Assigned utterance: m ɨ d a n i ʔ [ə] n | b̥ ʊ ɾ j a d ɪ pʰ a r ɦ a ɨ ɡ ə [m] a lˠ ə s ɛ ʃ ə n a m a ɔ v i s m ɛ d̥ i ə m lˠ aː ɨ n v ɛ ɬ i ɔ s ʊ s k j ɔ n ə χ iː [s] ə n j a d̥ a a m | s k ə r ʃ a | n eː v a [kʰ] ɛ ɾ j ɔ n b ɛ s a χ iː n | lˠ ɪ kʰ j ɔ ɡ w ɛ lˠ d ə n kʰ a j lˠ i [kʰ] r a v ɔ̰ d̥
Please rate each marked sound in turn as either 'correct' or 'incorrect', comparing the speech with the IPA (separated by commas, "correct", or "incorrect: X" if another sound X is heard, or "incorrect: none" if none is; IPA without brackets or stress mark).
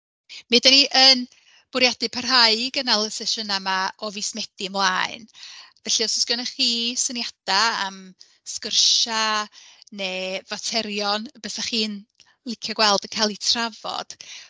correct, incorrect: n, correct, incorrect: tʰ, incorrect: tʰ